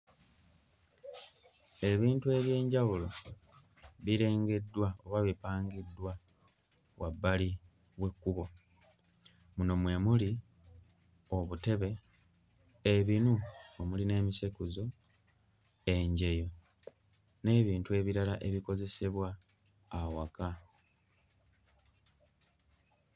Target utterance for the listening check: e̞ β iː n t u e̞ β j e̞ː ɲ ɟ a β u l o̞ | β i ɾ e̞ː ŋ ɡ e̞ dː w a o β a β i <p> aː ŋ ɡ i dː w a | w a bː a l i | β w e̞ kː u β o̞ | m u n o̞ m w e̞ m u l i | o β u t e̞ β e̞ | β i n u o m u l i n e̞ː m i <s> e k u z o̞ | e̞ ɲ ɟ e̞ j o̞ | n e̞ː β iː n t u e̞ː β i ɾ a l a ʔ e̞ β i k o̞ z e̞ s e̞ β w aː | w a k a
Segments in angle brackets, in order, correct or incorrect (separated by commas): correct, correct